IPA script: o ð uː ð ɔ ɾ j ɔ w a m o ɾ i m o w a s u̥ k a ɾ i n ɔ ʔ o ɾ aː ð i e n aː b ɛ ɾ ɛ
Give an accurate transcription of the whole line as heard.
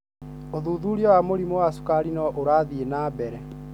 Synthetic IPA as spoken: o ð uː ð u ɾ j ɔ w a m o ɾ i m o w a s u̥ k a ɾ i n ɔ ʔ o ɾ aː ð i e n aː b ɛ ɾ ɛ